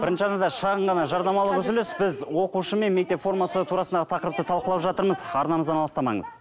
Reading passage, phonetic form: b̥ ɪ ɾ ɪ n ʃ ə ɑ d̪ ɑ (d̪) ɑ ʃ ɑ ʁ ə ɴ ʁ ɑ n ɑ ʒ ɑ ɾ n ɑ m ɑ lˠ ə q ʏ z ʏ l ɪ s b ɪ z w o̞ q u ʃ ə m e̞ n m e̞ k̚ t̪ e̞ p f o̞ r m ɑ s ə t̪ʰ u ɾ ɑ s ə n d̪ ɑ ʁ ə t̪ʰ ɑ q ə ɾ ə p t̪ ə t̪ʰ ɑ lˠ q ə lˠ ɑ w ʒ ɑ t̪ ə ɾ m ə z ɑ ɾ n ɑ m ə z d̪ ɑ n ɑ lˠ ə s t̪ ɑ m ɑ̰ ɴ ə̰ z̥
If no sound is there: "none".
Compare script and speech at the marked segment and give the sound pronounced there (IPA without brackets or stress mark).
d̪